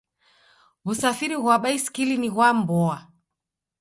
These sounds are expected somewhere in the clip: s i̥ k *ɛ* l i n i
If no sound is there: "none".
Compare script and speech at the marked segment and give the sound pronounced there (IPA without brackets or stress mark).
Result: i